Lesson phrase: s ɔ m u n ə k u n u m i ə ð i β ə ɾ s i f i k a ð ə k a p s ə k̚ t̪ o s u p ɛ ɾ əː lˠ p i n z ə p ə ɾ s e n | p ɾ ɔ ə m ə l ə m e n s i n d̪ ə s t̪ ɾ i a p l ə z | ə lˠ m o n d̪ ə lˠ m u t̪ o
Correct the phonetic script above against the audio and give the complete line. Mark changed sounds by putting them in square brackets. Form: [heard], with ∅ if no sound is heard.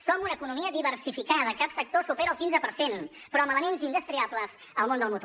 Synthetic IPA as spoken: s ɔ m u n ə k u n u m i ə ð i β ə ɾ s i f i k a ð ə k a p s ə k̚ t̪ o s u p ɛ ɾ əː lˠ [k] i n z ə p ə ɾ s e n | p ɾ ɔ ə m ə l ə m e n [z] i n d̪ ə s t̪ ɾ i a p l ə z | ə lˠ m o n d̪ ə lˠ m u t̪ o